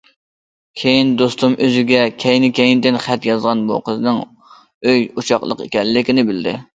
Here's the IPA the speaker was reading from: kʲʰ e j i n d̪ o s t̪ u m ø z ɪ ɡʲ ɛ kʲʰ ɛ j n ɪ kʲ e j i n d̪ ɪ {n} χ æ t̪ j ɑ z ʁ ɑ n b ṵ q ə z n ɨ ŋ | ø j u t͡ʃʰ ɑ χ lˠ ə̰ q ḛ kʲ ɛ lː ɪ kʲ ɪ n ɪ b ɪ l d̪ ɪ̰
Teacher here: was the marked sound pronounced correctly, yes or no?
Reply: yes